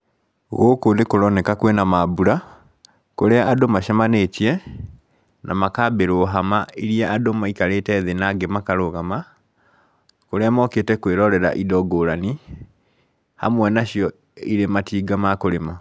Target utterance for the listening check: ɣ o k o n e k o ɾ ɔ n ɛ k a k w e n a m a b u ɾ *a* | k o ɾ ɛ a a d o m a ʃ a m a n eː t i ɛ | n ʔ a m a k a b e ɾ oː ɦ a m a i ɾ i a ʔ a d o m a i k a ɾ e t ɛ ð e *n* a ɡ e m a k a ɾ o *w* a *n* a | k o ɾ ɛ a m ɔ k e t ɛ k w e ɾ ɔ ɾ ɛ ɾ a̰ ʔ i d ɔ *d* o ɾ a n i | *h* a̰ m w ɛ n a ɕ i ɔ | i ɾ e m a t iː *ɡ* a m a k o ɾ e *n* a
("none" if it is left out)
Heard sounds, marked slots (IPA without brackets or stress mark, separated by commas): a, n, ɣ, m, ɡ, h, ɡ, m